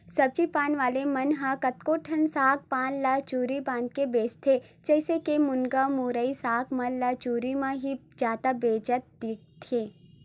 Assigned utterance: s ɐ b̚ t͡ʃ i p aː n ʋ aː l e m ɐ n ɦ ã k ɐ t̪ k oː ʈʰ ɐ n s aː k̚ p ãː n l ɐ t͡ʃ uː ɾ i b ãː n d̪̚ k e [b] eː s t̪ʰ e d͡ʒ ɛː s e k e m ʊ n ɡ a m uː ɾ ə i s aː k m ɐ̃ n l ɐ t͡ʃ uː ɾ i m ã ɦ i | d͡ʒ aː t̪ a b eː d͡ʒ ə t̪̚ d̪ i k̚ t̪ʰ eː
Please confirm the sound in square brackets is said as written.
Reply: yes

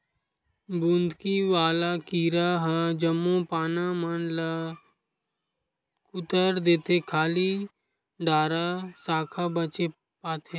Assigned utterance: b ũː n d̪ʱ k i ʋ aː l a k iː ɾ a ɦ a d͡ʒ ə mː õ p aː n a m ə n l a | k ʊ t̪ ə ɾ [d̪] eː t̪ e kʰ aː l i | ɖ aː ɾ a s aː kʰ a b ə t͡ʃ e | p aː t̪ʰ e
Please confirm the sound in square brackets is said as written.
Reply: yes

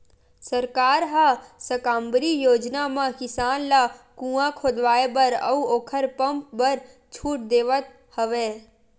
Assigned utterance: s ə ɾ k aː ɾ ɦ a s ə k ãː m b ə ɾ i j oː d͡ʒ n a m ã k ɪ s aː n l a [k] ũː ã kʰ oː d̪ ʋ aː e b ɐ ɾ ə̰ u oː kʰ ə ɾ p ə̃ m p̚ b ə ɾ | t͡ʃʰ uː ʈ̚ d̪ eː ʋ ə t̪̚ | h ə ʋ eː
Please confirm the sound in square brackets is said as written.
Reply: yes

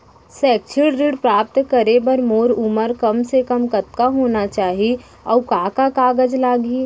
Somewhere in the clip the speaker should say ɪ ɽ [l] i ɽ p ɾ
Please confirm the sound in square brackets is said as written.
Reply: no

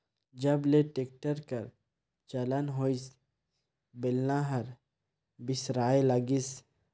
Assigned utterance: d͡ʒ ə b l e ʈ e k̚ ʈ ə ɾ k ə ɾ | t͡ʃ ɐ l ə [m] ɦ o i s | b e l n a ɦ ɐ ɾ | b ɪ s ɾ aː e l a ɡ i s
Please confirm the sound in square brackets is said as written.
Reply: no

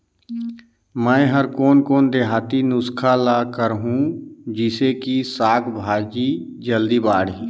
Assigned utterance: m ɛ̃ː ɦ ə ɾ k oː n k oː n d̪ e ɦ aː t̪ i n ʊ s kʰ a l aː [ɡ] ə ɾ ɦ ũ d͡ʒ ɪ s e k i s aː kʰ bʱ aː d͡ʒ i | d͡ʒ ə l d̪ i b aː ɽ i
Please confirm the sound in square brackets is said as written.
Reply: no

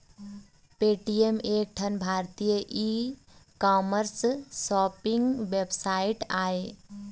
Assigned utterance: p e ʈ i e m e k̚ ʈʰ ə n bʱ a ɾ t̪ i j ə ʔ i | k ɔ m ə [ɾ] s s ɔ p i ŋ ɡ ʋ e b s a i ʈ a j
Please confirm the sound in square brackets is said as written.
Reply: yes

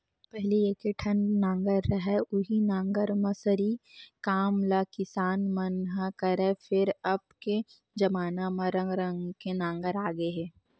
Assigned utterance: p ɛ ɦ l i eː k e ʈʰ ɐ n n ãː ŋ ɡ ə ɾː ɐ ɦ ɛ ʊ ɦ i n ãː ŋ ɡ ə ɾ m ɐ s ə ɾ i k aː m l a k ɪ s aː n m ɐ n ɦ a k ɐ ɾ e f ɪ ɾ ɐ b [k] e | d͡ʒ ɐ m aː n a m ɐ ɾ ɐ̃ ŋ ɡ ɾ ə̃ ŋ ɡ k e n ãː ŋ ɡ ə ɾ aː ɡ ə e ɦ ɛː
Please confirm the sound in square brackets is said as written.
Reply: yes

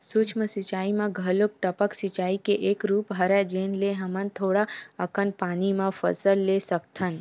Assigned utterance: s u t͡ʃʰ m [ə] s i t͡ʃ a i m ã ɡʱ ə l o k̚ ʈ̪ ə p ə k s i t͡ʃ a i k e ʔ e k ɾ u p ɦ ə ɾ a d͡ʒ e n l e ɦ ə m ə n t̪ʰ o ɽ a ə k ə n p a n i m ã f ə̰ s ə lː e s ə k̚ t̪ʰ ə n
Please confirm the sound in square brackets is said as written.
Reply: yes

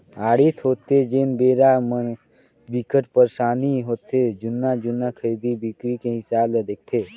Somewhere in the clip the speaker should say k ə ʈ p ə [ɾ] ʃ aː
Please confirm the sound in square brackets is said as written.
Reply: yes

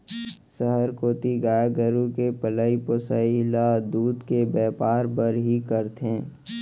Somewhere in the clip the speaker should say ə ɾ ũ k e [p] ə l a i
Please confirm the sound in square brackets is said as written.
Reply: yes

